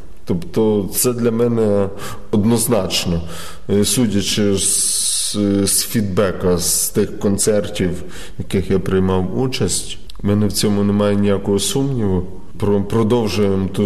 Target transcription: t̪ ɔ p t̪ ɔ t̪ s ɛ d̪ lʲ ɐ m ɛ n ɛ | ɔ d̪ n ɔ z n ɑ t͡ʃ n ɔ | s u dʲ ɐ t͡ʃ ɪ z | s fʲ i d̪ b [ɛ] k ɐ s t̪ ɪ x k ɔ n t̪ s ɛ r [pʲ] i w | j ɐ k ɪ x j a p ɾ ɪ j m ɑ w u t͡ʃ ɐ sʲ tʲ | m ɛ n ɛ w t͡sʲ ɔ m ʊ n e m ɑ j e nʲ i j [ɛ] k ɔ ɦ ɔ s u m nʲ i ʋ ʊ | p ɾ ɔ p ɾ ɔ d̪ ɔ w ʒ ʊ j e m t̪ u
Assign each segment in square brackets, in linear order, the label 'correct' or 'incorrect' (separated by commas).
correct, incorrect, incorrect